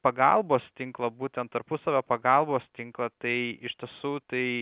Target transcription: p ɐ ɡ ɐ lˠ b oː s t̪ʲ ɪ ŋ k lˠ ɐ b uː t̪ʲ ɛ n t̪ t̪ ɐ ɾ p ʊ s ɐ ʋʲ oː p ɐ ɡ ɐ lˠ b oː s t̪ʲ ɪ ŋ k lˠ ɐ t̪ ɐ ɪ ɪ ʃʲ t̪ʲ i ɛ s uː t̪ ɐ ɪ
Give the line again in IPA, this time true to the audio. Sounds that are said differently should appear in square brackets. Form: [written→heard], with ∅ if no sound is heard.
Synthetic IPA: p ɐ ɡ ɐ lˠ b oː s t̪ʲ ɪ ŋ k lˠ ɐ b uː t̪ʲ ɛ n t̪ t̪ ɐ ɾ p ʊ s ɐ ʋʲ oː p ɐ ɡ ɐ lˠ b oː s t̪ʲ ɪ ŋ k lˠ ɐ t̪ ɐ ɪ ɪ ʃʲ t̪ʲ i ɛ s uː t̪ ɐ ɪ

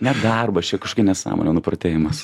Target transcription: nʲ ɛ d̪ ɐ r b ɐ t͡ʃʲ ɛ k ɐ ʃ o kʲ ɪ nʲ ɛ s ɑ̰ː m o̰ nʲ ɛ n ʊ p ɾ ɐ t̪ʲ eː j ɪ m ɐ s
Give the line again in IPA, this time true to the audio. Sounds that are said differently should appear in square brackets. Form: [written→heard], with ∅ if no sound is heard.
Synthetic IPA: nʲ ɛ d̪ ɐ r b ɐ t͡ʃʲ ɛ k ɐ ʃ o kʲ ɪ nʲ ɛ s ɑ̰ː m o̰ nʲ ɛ n ʊ p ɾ ɐ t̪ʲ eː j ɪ m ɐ s

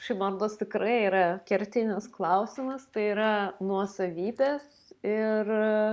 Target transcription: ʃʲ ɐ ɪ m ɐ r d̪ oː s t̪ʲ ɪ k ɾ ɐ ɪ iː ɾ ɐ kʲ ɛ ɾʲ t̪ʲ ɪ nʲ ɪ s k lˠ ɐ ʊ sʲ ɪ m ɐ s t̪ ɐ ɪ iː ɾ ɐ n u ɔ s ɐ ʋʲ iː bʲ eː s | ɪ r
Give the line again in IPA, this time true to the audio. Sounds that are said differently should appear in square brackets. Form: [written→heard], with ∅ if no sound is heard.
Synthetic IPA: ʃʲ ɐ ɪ m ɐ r d̪ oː s t̪ʲ ɪ k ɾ ɐ ɪ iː ɾ ɐ kʲ ɛ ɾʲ t̪ʲ ɪ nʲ ɪ s k lˠ ɐ ʊ sʲ ɪ m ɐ s t̪ ɐ ɪ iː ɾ ɐ n u ɔ s ɐ ʋʲ iː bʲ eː s | ɪ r

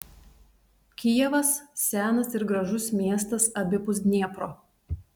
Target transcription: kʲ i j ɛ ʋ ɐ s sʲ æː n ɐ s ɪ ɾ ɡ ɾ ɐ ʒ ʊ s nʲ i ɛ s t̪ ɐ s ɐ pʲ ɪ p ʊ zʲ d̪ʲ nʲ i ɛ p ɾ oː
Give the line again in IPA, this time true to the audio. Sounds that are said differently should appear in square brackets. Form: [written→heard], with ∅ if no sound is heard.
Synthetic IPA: kʲ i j ɛ ʋ ɐ s sʲ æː n ɐ s ɪ ɾ ɡ ɾ ɐ ʒ ʊ s [nʲ→mʲ] i ɛ s t̪ ɐ s ɐ [pʲ→bʲ] ɪ p ʊ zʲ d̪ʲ nʲ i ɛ p ɾ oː

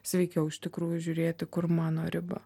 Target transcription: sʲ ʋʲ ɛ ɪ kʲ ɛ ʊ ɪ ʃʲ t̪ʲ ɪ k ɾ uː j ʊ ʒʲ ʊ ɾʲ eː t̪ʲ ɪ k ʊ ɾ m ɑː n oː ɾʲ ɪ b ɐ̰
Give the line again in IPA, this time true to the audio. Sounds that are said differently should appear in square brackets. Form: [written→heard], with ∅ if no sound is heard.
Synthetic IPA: sʲ ʋʲ ɛ ɪ kʲ ɛ ʊ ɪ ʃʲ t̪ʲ ɪ k ɾ uː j ʊ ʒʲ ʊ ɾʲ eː t̪ʲ ɪ k ʊ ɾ m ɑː n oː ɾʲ ɪ b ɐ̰

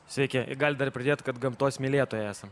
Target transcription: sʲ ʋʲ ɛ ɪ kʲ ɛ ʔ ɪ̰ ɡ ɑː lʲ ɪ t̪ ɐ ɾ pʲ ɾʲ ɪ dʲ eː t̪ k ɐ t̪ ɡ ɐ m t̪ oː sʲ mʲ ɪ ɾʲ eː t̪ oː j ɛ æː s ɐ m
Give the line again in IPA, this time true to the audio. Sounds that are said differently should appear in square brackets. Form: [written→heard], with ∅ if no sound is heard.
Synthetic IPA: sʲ ʋʲ ɛ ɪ kʲ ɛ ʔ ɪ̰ ɡ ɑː lʲ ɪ [t̪→d̪] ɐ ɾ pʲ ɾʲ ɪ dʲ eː t̪ k ɐ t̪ ɡ ɐ m t̪ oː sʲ mʲ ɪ [ɾʲ→lʲ] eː t̪ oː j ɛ æː s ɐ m

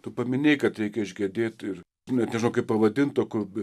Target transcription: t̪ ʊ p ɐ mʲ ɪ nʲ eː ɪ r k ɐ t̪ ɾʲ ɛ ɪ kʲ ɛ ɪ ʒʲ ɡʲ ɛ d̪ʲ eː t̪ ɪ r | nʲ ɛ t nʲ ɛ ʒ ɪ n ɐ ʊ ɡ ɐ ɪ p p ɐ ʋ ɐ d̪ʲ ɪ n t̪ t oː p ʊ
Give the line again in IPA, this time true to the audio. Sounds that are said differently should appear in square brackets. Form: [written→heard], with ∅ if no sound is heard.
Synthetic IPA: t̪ ʊ p ɐ mʲ ɪ nʲ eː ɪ [r→∅] k ɐ t̪ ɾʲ ɛ ɪ kʲ ɛ ɪ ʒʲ ɡʲ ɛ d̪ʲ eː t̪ ɪ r | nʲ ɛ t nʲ ɛ ʒ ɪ n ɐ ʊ [ɡ→k] ɐ ɪ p p ɐ ʋ ɐ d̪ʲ ɪ n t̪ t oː [p→k] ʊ

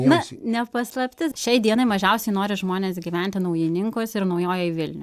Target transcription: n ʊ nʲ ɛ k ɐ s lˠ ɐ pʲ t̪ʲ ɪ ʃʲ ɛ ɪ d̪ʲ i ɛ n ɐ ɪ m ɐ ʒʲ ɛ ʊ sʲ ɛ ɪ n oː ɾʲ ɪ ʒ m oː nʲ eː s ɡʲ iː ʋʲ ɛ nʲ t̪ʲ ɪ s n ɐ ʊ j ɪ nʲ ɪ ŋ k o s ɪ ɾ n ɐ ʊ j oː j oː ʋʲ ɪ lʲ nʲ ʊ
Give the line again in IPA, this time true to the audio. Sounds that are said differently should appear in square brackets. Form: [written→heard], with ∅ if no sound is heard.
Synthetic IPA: n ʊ nʲ ɛ [k→p] ɐ s lˠ ɐ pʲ t̪ʲ ɪ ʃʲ ɛ ɪ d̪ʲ i ɛ n ɐ ɪ m ɐ ʒʲ ɛ ʊ sʲ ɛ ɪ n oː ɾʲ ɪ ʒ m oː nʲ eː s ɡʲ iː ʋʲ ɛ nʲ t̪ʲ ɪ [s→∅] n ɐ ʊ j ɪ nʲ ɪ ŋ k o s ɪ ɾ n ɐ ʊ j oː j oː ʋʲ ɪ lʲ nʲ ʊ

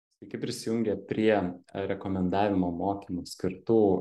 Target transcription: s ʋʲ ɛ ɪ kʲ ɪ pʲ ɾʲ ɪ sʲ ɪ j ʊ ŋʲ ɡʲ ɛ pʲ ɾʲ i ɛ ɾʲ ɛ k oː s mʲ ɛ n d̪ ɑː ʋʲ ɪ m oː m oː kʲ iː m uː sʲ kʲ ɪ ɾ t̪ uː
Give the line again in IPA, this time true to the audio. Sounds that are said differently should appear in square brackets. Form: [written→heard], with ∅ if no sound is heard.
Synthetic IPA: s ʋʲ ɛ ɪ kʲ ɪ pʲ ɾʲ ɪ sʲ ɪ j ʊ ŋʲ ɡʲ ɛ pʲ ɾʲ i ɛ ɾʲ ɛ k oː [s→∅] mʲ ɛ n d̪ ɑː ʋʲ ɪ m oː m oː kʲ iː m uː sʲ kʲ ɪ ɾ t̪ uː

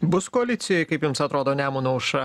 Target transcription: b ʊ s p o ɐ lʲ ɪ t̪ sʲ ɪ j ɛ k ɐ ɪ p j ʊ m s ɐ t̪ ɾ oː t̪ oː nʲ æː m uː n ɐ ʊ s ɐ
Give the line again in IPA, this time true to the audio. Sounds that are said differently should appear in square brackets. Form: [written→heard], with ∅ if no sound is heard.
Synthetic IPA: b ʊ s [p→k] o ɐ lʲ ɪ t̪ sʲ ɪ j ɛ k ɐ ɪ p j ʊ m s ɐ t̪ ɾ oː [t̪→d̪] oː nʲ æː m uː n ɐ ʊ [s→ʃ] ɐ

